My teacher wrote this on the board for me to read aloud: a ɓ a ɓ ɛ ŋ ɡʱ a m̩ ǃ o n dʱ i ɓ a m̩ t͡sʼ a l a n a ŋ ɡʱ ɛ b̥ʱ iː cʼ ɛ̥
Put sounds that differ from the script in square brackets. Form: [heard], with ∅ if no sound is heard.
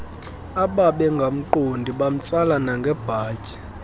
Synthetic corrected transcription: a ɓ a ɓ ɛ ŋ ɡʱ a m̩ ǃ o n dʱ i ɓ a m̩ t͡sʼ a l a n a ŋ ɡʱ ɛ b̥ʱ [aː] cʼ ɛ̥

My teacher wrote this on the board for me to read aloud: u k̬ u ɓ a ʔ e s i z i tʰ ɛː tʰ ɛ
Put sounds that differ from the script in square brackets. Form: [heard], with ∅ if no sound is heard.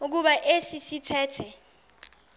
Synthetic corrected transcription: u k̬ u ɓ a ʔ e s i [s] i tʰ ɛː tʰ ɛ

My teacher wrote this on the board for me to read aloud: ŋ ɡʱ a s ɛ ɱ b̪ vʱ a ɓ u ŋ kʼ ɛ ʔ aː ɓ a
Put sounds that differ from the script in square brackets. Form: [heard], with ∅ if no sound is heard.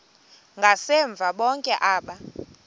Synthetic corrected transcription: ŋ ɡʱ a s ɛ ɱ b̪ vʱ a ɓ [ɔ] ŋ kʼ ɛ ʔ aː ɓ a

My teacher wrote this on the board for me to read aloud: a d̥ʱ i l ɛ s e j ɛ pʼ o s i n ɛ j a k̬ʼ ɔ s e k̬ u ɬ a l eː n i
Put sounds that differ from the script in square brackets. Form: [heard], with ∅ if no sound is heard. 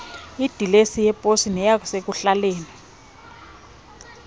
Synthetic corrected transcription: [i] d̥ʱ i l [e] s [i] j ɛ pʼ o s i n ɛ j a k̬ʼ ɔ s e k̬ u ɬ a l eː n i

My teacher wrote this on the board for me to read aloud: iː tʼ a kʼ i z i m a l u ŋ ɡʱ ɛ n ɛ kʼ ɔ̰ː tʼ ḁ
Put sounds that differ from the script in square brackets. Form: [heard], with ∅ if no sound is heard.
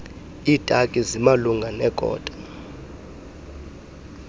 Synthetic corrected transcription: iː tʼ a kʼ i z i m a l u ŋ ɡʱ [a] n ɛ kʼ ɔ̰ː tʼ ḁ

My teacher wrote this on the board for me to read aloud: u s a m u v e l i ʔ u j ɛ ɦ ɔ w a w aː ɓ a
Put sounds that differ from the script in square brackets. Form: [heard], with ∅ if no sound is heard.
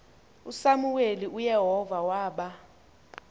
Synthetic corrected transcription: u s a m u [w] e l i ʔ u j ɛ ɦ ɔ [v] a w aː ɓ a

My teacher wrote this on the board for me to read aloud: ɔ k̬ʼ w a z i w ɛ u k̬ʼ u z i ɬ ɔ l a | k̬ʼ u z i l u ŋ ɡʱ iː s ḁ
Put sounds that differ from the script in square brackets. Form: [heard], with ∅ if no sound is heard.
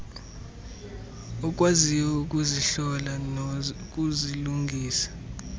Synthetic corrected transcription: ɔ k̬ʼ w a z i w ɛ u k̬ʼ u z i ɬ ɔ l a | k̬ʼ u z i l u ŋ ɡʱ iː s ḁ

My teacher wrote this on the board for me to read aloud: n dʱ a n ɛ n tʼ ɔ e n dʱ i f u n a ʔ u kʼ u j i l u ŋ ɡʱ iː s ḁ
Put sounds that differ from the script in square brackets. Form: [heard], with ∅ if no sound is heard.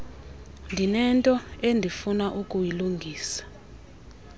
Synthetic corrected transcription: n dʱ [i] n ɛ n tʼ ɔ e n dʱ i f u n a ʔ u kʼ u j i l u ŋ ɡʱ iː s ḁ

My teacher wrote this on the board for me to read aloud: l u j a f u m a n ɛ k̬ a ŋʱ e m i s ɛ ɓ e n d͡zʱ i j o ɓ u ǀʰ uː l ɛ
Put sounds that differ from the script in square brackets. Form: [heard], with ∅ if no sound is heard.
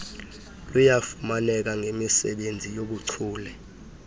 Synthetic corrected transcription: l u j a f u m a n ɛ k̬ a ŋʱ e m i s ɛ ɓ e n d͡zʱ i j o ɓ u ǀʰ uː l ɛ

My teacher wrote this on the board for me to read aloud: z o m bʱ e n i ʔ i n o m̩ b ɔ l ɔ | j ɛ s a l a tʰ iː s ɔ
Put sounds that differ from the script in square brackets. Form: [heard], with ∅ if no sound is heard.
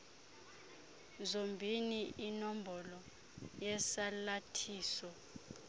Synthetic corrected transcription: z o m bʱ [i] n i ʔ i n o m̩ b ɔ l ɔ | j ɛ s a l a tʰ iː s ɔ

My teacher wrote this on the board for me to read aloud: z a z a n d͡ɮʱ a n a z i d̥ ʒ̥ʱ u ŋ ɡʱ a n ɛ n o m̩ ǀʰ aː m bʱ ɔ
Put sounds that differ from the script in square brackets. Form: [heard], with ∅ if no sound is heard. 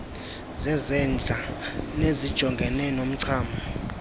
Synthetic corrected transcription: z [ɛ] z [ɛ] n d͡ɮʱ a n [e] z i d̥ ʒ̥ʱ [ɔ] ŋ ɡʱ [ɛ] n ɛ n o m̩ ǀʰ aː m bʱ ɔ

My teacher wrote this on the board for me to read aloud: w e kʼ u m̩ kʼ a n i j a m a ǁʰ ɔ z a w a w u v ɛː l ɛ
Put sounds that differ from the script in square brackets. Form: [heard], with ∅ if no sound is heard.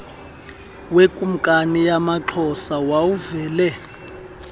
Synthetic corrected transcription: w e kʼ u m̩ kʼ a n i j a m a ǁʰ ɔ [s] a w a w u v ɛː l ɛ

